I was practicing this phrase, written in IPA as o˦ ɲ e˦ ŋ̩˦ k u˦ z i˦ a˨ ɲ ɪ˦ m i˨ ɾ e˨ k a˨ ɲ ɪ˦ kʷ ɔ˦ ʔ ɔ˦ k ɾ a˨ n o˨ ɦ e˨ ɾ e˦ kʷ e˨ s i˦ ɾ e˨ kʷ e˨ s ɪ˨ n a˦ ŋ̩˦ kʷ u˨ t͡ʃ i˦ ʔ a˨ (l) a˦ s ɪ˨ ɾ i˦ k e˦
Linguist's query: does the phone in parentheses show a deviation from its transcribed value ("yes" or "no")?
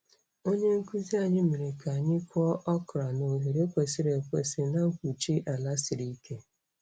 no